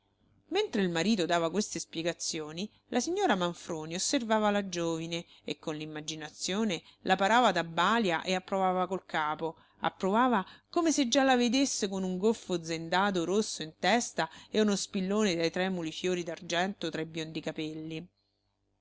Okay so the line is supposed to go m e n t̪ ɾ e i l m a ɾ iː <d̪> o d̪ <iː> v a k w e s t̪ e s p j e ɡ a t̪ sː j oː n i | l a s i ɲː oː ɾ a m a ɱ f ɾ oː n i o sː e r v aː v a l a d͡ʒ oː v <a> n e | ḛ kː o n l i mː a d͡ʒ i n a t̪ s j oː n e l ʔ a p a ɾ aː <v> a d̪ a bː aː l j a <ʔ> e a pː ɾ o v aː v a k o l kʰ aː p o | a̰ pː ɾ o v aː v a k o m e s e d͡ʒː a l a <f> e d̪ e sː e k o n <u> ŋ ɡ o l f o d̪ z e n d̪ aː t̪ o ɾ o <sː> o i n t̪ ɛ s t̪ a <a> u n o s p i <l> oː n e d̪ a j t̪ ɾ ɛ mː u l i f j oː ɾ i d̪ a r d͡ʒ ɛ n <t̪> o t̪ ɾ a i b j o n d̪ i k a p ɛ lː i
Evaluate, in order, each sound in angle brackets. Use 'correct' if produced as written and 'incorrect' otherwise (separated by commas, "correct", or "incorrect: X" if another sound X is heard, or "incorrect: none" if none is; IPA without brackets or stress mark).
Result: incorrect: t̪, incorrect: aː, incorrect: i, correct, correct, incorrect: v, correct, correct, incorrect: e, incorrect: lː, correct